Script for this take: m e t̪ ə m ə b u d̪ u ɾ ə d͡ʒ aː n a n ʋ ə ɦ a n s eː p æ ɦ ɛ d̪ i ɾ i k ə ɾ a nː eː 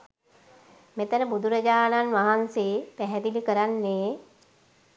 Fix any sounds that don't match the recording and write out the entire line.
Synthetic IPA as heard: m e t̪ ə n ə b u d̪ u ɾ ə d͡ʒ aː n a n ʋ a ɦ a n s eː p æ ɦ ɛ d̪ i l i k ə ɾ a nː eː